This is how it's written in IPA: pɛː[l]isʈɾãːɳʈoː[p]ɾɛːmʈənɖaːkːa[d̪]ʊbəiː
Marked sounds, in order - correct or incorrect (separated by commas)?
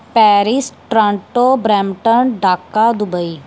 incorrect, incorrect, correct